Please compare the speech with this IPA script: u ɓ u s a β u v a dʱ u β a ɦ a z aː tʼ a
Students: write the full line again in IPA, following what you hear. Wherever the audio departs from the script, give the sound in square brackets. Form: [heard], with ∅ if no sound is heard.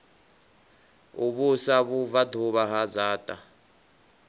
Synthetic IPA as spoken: u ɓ u s a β u v a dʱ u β a ɦ a z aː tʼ a